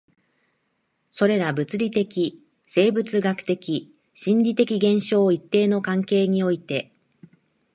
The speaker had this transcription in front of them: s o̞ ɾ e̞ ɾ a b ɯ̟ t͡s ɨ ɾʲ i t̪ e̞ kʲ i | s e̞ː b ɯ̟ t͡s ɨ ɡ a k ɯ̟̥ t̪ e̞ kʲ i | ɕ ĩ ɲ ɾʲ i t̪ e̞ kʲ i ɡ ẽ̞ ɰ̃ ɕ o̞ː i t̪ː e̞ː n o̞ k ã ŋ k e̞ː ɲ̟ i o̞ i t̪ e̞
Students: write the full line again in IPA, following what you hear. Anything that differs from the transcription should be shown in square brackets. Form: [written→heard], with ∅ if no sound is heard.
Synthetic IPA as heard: s o̞ ɾ e̞ ɾ a b ɯ̟ t͡s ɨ ɾʲ i t̪ e̞ kʲ i | s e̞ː b ɯ̟ t͡s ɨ ɡ a k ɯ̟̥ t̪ e̞ kʲ i | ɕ ĩ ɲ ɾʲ i t̪ e̞ kʲ i ɡ ẽ̞ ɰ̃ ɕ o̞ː i t̪ː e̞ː n o̞ k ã ŋ k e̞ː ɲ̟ i o̞ i t̪ e̞